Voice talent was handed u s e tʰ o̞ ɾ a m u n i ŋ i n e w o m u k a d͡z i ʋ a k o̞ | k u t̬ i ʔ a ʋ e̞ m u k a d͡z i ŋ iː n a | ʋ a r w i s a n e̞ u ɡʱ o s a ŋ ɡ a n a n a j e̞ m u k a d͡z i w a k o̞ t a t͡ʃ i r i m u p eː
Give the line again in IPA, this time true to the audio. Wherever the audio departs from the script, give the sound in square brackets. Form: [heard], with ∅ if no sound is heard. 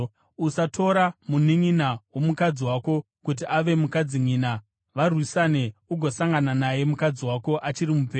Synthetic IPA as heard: u s [a] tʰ o̞ ɾ a m u n i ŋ i n [a] w o m u k a d͡z i [w] a k o̞ | k u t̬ i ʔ a ʋ e̞ m u k a d͡z i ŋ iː n a | ʋ a r w i s a n e̞ u ɡʱ o s a ŋ ɡ a n a n a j e̞ m u k a d͡z i w a k o̞ [ʔ] a t͡ʃ i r i m u p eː